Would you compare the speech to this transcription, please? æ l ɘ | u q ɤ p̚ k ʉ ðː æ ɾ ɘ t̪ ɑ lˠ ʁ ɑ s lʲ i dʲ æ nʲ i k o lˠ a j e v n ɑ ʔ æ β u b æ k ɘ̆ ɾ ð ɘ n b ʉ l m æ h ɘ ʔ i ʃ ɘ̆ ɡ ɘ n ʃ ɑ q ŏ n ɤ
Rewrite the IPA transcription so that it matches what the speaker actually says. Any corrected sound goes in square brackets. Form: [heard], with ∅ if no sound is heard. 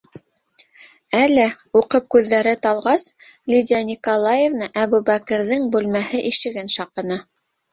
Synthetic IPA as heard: æ l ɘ | u q ɤ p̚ k ʉ ðː æ ɾ ɘ t̪ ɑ lˠ ʁ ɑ s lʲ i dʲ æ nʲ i k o lˠ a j e v n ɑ ʔ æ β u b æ k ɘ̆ ɾ ð ɘ [ŋ] b ʉ l m æ h ɘ ʔ i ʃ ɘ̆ ɡ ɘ n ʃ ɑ q [ɤ̆] n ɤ